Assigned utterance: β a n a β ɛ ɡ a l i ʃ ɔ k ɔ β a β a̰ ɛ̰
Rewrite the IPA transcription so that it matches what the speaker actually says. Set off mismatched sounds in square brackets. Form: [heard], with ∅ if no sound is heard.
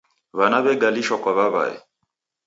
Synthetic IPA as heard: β a n a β ɛ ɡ a l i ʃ ɔ k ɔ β a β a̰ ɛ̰